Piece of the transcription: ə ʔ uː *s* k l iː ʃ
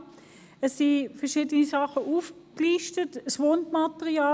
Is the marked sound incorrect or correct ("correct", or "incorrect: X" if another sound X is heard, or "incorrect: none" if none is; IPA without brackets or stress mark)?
incorrect: f